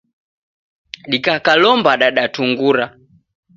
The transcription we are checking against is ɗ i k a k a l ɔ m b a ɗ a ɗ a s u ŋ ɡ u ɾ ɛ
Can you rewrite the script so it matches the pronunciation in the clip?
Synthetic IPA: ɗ i k a k a l ɔ m b a ɗ a ɗ a t u ŋ ɡ u ɾ a